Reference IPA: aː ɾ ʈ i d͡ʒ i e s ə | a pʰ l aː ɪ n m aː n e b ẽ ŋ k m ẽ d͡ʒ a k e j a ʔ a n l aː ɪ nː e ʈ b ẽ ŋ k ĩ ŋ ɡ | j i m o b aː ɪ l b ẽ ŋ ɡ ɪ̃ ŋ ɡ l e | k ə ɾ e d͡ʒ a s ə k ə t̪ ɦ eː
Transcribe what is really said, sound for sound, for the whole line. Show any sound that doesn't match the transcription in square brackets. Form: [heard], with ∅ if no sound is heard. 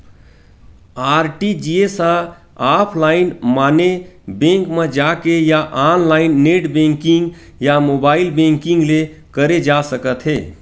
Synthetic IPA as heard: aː ɾ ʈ i d͡ʒ i e s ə | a pʰ l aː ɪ n m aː n e b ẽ ŋ k m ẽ d͡ʒ a k e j a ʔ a n l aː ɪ nː e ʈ b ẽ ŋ k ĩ ŋ ɡ | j [a] m o b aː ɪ l b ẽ ŋ [k] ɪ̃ ŋ ɡ l e | k ə ɾ e d͡ʒ a s ə k ə t̪ ɦ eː